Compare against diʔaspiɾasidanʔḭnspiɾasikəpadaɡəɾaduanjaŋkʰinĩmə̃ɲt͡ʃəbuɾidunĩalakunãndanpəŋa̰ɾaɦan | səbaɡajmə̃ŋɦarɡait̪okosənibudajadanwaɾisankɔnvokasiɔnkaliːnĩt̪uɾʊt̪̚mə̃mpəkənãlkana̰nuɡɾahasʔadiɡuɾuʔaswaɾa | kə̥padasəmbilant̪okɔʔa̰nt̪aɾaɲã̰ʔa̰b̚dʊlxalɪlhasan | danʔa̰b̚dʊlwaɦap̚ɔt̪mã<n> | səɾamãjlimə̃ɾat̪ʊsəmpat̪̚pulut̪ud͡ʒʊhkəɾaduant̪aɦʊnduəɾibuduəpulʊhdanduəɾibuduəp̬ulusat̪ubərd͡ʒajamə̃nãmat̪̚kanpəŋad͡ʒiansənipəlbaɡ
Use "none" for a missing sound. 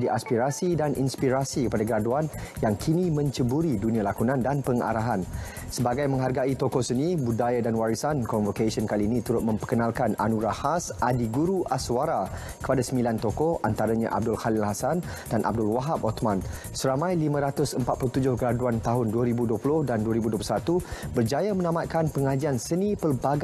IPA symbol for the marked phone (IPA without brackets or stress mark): n